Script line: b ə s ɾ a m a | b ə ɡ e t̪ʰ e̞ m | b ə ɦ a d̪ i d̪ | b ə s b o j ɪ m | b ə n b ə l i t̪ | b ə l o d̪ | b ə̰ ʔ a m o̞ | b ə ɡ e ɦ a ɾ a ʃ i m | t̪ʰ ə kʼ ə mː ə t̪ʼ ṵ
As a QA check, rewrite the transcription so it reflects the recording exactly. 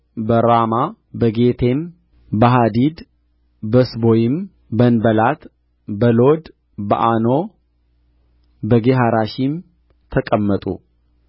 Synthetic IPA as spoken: b ə ɾ a m a | b ə ɡ e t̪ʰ e̞ m | b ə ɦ a d̪ i d̪ | b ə s b o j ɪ m | b ə n b ə l a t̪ | b ə l o d̪ | b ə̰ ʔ a n o̞ | b ə ɡ e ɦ a ɾ a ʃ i m | t̪ʰ ə kʼ ə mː ə t̪ʼ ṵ